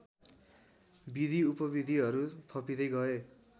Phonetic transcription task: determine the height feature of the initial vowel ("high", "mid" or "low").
high